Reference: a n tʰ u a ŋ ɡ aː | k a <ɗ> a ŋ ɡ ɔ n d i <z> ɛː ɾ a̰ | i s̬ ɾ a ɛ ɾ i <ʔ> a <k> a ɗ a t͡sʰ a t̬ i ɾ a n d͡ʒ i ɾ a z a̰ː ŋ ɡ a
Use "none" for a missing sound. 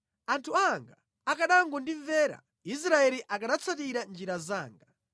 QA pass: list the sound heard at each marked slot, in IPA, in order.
ɗ, v, ʔ, k

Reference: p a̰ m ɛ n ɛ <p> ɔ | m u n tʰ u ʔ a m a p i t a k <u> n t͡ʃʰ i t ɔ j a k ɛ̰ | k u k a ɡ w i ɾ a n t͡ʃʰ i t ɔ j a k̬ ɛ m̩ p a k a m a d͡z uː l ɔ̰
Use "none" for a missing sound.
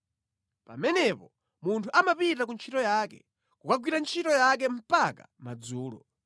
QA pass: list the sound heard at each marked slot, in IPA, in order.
p, u

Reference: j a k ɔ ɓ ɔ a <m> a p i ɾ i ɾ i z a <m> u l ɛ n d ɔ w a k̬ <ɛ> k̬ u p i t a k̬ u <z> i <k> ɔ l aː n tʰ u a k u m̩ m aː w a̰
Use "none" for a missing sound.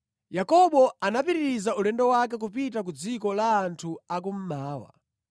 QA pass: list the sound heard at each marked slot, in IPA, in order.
n, none, ɛ, d͡z, k

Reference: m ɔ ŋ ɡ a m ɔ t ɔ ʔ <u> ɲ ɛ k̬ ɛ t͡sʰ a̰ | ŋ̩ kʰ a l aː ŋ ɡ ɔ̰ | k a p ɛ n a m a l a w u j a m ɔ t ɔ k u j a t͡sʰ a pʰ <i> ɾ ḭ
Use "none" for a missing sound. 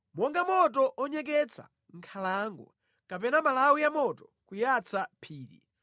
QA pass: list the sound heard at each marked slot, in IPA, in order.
ɔ, iː

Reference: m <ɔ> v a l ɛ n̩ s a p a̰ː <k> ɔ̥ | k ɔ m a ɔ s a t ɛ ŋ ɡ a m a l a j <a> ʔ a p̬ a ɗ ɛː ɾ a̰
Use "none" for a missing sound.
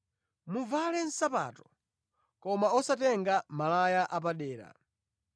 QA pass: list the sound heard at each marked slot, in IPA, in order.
u, t, a

